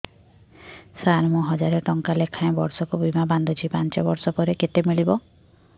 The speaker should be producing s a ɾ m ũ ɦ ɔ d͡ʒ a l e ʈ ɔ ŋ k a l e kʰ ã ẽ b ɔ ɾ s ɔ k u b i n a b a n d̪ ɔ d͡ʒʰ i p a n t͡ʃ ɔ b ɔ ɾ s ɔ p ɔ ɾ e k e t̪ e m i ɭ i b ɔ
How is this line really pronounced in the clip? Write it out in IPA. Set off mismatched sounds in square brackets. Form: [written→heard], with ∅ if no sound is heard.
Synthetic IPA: s a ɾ m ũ ɦ ɔ d͡ʒ a [l→ɾ] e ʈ ɔ ŋ k a l e kʰ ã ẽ b ɔ ɾ s ɔ k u b i [n→m] a b a n d̪ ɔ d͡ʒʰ i p a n t͡ʃ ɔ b ɔ ɾ s ɔ p ɔ ɾ e k e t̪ e m i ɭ i b ɔ